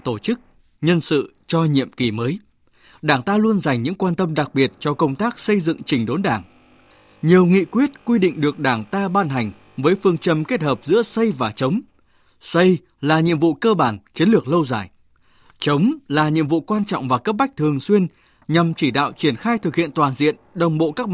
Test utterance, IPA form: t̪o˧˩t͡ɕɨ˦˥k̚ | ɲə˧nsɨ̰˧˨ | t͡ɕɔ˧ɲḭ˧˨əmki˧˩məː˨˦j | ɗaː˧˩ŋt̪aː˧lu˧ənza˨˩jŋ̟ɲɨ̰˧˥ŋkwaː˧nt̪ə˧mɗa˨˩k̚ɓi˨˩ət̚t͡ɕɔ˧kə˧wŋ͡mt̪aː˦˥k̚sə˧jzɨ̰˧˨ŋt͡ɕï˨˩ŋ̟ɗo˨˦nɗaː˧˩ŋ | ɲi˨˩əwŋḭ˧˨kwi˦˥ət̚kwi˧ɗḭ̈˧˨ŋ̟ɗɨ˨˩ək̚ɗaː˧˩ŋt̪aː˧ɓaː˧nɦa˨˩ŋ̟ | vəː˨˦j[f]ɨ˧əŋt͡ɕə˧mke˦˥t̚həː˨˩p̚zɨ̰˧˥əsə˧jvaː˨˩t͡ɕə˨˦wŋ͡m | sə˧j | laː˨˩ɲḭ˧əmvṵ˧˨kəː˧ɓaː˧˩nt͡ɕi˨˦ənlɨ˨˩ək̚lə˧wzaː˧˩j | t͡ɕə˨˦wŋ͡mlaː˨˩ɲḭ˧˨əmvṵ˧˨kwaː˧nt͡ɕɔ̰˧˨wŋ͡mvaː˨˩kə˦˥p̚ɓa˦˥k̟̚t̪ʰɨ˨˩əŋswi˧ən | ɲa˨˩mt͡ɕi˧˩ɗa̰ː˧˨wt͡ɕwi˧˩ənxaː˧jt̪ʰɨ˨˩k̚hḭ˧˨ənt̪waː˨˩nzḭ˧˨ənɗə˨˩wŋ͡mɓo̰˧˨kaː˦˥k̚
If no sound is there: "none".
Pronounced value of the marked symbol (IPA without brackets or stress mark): f